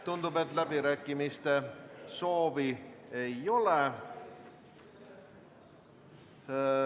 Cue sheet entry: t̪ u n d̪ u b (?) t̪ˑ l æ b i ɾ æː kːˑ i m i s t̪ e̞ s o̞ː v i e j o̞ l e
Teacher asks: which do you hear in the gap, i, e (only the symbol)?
e